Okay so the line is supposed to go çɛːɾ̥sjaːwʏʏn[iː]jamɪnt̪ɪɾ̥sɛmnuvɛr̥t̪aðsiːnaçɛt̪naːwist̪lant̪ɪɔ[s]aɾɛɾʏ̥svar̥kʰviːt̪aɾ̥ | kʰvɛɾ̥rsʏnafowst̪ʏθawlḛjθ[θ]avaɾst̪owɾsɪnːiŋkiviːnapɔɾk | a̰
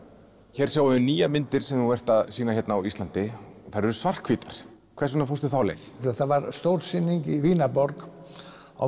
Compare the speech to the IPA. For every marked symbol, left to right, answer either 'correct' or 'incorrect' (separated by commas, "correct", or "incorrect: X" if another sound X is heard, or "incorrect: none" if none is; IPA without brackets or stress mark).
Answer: correct, incorrect: θ, correct